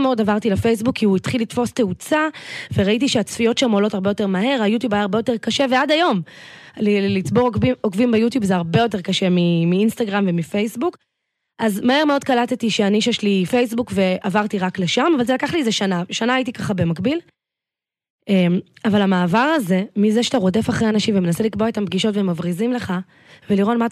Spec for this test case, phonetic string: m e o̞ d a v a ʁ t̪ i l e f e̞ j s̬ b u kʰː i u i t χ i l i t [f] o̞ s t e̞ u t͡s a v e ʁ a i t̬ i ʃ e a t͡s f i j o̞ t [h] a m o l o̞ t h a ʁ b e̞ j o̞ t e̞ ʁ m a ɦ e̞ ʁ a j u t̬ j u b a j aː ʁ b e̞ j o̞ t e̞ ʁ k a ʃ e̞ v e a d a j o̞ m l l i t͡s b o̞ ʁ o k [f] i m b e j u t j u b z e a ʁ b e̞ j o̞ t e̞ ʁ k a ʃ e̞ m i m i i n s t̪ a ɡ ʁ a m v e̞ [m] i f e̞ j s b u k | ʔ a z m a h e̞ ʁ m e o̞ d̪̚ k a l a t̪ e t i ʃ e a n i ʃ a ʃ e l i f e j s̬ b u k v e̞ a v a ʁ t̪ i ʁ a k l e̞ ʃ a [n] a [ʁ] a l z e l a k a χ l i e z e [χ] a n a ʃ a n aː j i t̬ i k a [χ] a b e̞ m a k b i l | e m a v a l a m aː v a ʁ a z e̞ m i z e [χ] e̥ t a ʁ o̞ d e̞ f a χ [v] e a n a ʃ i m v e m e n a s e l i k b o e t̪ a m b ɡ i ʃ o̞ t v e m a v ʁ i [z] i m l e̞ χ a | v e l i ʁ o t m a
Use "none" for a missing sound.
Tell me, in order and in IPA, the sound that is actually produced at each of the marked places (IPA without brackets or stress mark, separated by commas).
f, ʃ, v, m, m, v, ʃ, χ, ʃ, ʁ, z